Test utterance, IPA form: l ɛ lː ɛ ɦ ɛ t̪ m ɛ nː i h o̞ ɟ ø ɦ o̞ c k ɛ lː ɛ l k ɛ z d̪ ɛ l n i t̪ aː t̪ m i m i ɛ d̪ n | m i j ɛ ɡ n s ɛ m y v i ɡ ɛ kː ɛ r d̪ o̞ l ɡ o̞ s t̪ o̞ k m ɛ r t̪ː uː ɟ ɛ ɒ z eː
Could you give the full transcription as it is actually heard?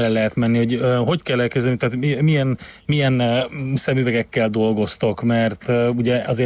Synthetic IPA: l ɛ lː ɛ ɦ ɛ t̪ m ɛ nː i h o̞ ɟ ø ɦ o̞ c k ɛ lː ɛ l k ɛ z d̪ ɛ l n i t̪ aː t̪ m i m i ɛ n | m i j ɛ n s ɛ m y v ɛ ɡ ɛ kː ɛ l d̪ o̞ l ɡ o̞ s t̪ o̞ k m ɛ r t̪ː u ɟ ɛ ɒ z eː